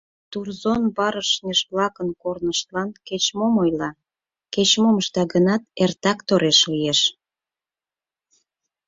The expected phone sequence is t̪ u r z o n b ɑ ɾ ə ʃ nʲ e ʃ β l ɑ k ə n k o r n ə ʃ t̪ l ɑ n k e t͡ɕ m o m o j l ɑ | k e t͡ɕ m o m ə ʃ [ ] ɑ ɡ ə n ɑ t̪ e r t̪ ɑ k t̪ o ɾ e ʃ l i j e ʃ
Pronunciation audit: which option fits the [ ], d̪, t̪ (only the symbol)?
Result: t̪